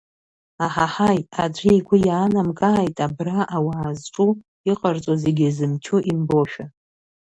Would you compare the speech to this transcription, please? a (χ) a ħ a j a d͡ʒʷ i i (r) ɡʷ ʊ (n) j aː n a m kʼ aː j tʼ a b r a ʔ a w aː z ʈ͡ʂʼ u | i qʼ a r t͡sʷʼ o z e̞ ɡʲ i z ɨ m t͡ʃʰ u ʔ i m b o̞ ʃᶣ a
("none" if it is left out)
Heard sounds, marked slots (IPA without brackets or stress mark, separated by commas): ħ, none, none